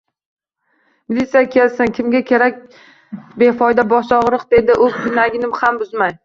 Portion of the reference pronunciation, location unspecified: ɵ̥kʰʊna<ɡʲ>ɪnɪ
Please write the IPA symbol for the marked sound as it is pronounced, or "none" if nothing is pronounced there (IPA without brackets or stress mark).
ɡʲ